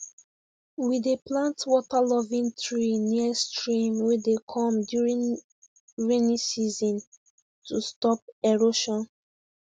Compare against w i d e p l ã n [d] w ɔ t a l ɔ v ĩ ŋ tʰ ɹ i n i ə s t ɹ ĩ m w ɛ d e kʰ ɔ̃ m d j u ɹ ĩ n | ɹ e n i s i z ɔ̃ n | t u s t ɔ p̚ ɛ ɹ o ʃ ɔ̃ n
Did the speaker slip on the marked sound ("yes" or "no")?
yes